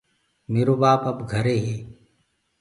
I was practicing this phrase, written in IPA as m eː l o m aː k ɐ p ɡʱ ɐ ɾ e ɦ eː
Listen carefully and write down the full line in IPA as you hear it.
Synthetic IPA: m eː ɾ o b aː p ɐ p ɡʱ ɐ ɾ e ɦ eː